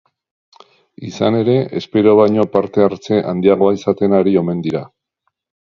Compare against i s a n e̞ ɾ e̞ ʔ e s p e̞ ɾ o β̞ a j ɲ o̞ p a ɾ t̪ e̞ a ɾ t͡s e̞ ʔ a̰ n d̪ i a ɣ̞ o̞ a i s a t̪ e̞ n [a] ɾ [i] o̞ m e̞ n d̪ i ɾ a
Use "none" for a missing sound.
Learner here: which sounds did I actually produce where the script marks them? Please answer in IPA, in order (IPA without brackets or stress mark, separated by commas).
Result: a, i